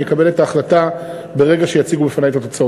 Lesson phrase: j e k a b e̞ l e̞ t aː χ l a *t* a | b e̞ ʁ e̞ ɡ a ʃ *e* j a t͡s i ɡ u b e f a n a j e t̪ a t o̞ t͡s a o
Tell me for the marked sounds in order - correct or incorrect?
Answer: correct, correct

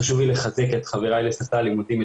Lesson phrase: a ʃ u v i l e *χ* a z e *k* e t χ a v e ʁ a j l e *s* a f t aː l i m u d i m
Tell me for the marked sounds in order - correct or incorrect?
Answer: correct, correct, correct

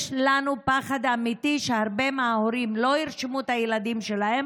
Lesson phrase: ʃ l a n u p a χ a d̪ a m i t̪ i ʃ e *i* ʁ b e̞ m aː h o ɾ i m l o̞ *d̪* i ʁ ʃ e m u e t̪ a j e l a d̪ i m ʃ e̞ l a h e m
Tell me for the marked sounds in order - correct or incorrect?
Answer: incorrect: a, incorrect: none

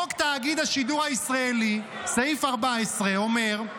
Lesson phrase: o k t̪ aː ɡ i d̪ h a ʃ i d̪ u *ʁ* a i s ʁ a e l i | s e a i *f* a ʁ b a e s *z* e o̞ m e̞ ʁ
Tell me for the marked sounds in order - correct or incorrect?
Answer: correct, correct, incorrect: ʁ

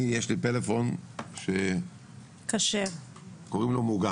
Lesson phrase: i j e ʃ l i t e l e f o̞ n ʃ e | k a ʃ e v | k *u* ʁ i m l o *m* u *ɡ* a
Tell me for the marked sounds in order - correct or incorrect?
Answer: incorrect: o, correct, correct

